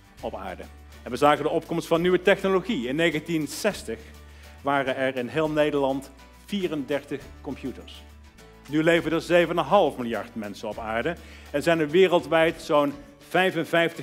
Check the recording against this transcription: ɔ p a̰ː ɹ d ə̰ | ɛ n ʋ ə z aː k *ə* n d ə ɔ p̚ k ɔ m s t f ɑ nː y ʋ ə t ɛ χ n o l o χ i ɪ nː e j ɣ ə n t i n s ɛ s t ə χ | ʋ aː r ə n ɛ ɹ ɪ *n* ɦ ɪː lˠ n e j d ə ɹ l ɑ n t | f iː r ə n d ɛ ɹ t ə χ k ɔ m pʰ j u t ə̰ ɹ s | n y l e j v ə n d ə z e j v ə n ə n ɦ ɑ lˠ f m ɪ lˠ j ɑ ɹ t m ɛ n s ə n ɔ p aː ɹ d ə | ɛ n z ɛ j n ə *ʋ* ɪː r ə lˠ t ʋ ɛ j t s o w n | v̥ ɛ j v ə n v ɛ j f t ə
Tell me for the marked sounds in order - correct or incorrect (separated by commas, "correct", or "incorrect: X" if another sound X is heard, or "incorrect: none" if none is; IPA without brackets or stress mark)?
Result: correct, correct, correct